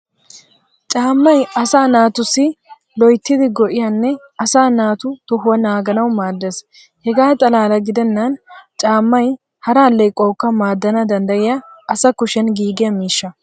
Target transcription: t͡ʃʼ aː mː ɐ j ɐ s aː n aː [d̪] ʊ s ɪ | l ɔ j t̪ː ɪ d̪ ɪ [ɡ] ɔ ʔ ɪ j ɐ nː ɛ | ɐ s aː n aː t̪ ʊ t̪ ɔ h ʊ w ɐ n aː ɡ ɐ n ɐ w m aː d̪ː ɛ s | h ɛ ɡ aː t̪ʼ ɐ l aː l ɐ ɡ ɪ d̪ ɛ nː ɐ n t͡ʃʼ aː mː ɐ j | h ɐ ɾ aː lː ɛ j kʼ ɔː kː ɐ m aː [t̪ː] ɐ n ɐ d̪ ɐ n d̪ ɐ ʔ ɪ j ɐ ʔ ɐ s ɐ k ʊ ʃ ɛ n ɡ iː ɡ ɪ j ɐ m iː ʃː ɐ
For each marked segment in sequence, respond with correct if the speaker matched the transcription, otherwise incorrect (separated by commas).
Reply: incorrect, correct, incorrect